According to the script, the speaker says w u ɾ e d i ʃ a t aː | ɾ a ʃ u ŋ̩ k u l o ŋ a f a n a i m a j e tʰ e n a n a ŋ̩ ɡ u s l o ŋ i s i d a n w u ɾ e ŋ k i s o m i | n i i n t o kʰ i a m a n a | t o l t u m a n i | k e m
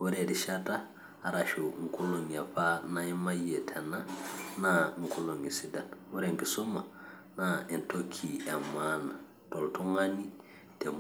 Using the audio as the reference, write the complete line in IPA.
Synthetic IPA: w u ɾ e d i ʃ a t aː | ɾ a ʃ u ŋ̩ k u l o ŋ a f a n a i m a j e tʰ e n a n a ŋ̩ k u l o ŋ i s i d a n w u ɾ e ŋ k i s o m a | n a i n t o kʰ i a m a n a | t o l t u ŋ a n i | t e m